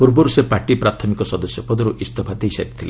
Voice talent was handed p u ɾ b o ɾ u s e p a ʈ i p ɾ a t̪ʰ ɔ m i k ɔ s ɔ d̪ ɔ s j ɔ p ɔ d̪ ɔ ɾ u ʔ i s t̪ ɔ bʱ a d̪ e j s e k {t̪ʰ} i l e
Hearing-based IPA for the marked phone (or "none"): t̪ʰ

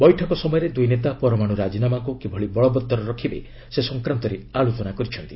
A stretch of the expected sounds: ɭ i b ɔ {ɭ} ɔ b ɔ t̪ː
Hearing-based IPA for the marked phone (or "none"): ɭ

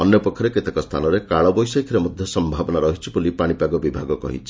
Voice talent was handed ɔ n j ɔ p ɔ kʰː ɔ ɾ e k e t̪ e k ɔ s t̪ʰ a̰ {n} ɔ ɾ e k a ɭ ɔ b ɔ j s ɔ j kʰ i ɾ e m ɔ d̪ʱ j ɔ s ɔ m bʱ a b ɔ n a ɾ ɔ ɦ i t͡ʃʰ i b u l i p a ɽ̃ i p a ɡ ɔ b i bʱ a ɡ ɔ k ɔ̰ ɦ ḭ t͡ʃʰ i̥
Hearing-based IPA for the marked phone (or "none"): n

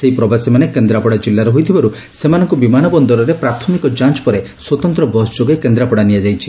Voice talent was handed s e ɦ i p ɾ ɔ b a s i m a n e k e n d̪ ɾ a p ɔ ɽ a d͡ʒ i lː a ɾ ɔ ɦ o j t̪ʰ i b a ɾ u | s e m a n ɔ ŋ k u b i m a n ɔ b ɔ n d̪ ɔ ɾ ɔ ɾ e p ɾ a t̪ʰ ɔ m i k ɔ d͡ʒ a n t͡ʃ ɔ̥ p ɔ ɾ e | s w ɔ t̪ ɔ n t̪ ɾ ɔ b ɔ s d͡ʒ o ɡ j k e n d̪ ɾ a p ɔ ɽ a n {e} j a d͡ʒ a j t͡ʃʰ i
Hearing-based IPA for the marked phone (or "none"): i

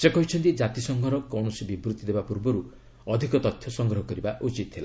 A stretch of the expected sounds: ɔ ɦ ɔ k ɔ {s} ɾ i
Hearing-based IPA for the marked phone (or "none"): none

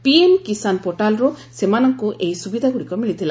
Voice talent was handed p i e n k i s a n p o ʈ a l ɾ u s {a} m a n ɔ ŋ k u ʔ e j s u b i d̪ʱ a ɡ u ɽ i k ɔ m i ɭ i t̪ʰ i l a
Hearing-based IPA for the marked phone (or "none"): e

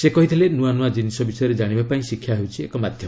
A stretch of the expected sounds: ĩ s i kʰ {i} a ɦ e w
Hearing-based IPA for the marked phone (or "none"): j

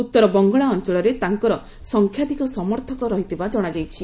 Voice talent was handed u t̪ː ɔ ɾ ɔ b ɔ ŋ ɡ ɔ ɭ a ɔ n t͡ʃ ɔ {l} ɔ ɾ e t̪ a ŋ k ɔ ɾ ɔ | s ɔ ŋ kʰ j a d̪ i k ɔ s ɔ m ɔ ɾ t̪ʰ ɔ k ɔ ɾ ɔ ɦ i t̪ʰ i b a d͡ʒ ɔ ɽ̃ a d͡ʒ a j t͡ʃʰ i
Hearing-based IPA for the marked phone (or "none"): ɭ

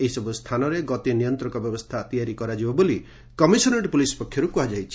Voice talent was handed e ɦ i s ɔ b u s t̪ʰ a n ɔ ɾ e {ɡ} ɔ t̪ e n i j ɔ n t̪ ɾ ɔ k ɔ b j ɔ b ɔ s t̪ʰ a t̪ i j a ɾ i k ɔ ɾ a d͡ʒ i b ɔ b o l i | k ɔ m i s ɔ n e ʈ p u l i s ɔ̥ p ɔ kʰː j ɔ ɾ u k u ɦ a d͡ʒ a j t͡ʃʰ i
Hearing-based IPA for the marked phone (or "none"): ɡ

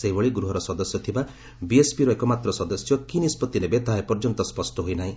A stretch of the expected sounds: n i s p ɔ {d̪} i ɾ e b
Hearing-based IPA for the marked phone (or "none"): t̪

